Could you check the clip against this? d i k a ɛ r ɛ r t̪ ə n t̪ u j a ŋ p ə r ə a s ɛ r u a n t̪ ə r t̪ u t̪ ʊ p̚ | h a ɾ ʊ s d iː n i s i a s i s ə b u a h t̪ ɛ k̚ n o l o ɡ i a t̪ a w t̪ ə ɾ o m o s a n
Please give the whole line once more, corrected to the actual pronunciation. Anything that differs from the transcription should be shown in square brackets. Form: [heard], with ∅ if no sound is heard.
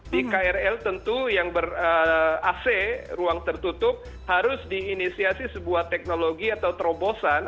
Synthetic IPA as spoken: d i k a ɛ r ɛ [l] t̪ ə n t̪ u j a ŋ [b] ə r ə a s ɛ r u a [ŋ] t̪ ə r t̪ u t̪ ʊ p̚ | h a ɾ ʊ s d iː n i s i a s i s ə b u a h t̪ ɛ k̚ n o l o ɡ i a t̪ a w t̪ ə ɾ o [b] o s a n